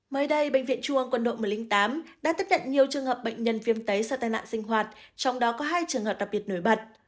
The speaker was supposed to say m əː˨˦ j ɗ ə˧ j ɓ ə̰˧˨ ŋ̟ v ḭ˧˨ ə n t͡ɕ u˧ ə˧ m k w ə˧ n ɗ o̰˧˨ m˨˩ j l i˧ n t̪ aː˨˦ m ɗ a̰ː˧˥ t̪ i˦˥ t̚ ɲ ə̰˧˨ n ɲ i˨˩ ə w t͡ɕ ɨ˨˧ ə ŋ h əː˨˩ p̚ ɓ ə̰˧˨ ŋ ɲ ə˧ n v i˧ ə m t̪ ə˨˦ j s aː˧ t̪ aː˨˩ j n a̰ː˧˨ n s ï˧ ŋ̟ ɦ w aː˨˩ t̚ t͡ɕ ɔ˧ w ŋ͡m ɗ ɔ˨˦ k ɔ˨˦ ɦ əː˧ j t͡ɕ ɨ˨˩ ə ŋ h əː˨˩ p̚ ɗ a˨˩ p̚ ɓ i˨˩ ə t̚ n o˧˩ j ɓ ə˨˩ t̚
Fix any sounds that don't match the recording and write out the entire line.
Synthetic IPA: m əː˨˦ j ɗ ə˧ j ɓ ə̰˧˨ ŋ̟ v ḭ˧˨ ə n t͡ɕ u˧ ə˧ ŋ k w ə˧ n ɗ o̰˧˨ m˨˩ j l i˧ ŋ t̪ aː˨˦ m ɗ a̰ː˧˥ t̪ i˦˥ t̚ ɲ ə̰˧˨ n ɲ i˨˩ ə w t͡ɕ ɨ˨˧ ə ŋ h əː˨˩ p̚ ɓ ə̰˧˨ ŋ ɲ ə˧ n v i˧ ə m t̪ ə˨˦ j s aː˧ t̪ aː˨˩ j n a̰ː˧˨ n s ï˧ ŋ̟ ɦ w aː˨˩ t̚ t͡ɕ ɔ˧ w ŋ͡m ɗ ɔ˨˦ k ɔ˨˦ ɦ aː˧ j t͡ɕ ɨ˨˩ ə ŋ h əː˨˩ p̚ ɗ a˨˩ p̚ ɓ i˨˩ ə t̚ n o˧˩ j ɓ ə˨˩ t̚